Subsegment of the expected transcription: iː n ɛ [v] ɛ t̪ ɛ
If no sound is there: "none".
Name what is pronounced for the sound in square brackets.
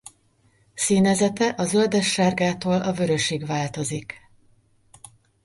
z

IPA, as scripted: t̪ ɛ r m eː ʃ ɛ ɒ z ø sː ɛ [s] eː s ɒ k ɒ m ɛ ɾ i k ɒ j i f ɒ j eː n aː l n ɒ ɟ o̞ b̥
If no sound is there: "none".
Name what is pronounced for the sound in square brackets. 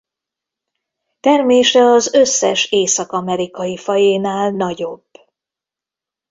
ʃ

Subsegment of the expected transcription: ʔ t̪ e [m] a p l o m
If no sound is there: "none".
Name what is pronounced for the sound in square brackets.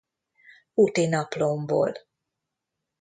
n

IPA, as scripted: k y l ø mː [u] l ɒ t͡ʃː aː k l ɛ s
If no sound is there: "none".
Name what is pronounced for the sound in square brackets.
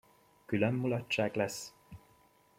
u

